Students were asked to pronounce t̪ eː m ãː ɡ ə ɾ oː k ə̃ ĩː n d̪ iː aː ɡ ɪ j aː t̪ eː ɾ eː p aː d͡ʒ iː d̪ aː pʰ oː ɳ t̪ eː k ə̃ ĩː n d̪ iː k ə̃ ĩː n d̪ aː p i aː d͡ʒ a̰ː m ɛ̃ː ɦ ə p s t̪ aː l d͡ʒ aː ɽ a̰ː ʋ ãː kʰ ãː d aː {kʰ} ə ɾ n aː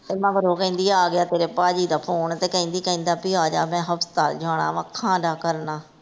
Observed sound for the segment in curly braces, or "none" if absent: k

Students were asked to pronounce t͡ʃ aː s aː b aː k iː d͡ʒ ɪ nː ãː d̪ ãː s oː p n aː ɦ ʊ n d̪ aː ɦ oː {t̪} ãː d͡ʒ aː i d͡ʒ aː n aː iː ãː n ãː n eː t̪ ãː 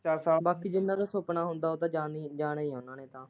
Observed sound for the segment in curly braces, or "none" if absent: t̪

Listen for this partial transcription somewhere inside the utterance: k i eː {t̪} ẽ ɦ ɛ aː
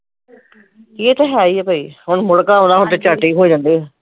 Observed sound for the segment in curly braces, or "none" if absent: t̪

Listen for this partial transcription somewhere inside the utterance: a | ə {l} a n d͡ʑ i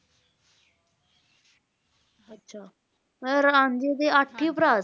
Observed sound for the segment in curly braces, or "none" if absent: ɾ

